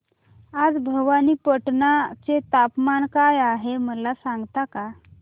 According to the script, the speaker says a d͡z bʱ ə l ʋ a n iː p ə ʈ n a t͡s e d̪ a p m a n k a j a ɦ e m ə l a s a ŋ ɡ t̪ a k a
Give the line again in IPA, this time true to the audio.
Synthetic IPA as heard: a d͡z bʱ ə ʋ a n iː p ə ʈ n a t͡s e t̪ a p m a n k a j a ɦ e m ə l a s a ŋ ɡ t̪ a k a